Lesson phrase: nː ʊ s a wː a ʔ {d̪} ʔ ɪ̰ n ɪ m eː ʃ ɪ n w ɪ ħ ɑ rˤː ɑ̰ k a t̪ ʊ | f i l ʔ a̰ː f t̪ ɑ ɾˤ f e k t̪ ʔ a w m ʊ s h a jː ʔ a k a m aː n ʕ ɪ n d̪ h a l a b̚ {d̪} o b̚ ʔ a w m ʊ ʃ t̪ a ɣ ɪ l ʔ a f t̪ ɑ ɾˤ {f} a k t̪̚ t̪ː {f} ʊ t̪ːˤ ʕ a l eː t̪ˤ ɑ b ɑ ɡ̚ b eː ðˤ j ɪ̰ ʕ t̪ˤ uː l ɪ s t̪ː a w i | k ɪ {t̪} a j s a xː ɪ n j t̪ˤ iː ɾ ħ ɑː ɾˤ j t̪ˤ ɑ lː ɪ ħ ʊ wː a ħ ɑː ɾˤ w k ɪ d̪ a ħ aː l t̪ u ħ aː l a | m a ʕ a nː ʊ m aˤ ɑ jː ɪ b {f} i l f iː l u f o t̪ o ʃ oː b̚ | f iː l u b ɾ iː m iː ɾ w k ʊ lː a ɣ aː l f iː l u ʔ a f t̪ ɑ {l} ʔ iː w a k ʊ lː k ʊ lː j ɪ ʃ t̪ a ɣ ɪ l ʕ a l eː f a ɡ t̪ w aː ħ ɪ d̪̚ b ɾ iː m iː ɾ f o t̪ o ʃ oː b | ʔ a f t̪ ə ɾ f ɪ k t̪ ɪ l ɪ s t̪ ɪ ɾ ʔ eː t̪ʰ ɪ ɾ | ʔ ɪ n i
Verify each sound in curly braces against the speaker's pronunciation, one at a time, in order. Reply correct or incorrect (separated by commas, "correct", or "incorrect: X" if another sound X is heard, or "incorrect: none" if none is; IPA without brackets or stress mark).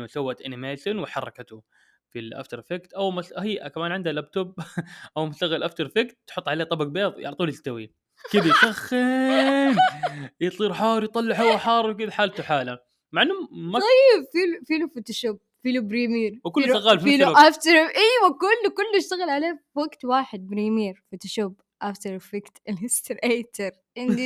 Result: incorrect: t̪, incorrect: t̪, correct, incorrect: ħ, incorrect: d̪, correct, incorrect: ɾ